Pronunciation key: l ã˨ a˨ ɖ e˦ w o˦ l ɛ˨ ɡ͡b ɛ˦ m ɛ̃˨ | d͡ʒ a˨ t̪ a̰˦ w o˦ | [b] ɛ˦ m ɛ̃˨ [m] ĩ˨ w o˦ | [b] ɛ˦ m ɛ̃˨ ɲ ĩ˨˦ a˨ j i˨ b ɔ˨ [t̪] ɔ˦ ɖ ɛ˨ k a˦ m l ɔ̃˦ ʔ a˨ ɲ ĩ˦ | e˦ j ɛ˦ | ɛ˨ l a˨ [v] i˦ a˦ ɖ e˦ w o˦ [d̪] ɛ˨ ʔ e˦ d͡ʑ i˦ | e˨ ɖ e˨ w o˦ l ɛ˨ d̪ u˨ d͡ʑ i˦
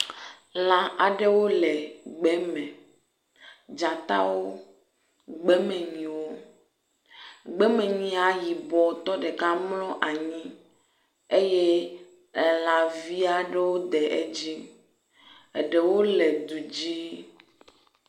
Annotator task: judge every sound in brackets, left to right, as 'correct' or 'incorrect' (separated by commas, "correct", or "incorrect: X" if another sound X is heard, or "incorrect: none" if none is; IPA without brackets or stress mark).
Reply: incorrect: ɡ͡b, incorrect: ɲ, incorrect: ɡ͡b, correct, correct, correct